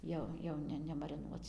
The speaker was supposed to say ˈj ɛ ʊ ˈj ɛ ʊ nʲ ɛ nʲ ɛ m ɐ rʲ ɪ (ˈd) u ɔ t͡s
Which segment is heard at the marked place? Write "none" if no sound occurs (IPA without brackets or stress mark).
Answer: n